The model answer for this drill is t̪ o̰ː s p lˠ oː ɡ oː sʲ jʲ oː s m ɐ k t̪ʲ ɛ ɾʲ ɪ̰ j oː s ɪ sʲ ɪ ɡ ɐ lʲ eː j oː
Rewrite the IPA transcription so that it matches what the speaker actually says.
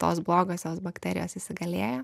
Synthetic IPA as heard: t̪ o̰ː s b lˠ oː ɡ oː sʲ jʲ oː s b ɐ k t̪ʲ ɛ ɾʲ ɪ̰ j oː s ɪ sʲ ɪ ɡ ɐ lʲ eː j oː